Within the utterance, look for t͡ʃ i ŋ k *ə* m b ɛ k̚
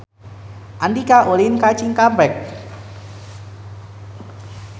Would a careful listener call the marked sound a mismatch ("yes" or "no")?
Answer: yes